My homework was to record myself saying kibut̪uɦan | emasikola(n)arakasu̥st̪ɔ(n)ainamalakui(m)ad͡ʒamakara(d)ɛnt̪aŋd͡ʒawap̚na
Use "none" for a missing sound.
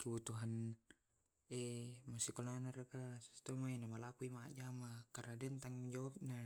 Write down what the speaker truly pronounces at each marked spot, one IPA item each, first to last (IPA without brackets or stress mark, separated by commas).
n, m, m, d